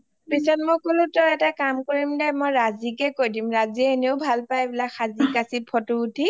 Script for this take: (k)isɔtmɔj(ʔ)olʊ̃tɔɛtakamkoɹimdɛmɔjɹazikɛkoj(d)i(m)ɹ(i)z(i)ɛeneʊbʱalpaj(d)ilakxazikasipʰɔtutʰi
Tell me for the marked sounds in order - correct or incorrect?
incorrect: p, incorrect: k, correct, correct, incorrect: a, correct, incorrect: b

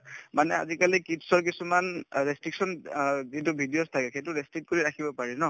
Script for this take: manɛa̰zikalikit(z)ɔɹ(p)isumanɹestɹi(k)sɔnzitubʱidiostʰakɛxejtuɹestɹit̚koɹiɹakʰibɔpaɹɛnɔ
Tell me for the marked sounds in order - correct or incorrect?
incorrect: s, incorrect: k, correct

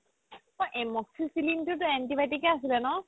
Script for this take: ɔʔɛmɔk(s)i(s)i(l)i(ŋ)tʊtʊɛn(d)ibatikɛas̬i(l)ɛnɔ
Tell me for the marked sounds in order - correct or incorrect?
correct, correct, correct, incorrect: n, incorrect: t, correct

